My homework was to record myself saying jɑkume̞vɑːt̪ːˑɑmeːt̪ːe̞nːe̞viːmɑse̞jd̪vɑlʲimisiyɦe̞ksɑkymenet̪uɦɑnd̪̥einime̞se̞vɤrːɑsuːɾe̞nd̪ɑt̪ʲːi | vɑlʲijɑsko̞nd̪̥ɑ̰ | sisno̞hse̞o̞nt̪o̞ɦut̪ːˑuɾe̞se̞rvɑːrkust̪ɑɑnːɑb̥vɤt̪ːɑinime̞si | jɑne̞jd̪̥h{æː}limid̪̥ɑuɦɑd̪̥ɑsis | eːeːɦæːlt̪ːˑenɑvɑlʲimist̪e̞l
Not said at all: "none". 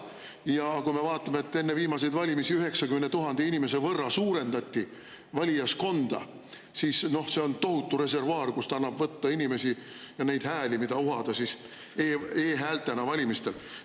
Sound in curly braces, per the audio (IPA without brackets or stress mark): æː